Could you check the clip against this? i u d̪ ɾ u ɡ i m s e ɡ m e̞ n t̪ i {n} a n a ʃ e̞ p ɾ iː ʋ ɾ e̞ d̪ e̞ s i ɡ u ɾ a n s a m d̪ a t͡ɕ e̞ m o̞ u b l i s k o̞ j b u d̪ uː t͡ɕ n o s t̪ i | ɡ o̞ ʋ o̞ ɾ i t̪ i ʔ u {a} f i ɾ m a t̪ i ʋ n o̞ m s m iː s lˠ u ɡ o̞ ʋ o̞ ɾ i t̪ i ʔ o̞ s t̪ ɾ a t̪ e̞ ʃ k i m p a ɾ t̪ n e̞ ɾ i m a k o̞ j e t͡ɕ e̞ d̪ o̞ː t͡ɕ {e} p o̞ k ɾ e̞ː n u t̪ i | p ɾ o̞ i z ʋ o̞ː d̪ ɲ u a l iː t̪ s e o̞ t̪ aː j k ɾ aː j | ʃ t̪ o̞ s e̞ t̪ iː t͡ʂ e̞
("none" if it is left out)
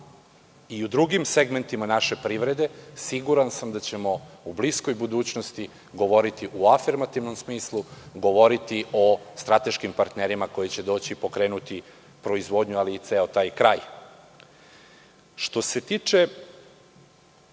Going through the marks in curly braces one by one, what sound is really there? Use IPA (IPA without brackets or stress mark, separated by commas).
m, a, i